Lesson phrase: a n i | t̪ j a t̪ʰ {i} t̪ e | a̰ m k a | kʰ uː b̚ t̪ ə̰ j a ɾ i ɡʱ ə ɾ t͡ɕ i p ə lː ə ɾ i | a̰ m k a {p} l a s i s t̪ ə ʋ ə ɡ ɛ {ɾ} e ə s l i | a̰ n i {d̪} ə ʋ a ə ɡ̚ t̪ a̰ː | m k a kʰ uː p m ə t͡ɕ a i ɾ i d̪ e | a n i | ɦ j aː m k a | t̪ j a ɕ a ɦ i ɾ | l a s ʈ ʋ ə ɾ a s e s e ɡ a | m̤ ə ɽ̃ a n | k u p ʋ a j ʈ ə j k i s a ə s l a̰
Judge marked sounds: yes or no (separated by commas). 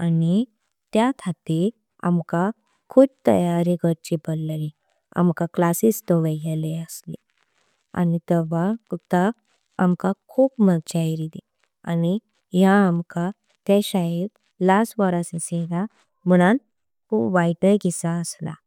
no, no, no, no